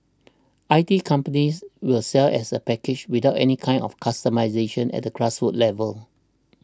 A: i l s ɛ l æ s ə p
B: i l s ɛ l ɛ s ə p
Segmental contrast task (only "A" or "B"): B